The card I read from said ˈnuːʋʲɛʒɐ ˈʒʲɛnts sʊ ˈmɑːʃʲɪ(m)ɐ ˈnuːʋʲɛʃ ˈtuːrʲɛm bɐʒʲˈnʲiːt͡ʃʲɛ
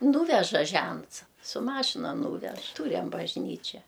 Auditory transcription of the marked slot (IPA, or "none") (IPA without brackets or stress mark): n